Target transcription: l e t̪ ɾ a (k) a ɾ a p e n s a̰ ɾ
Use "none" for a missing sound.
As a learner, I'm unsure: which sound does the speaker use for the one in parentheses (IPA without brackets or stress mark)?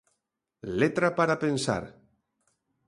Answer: p